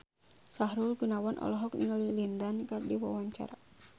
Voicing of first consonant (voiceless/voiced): voiceless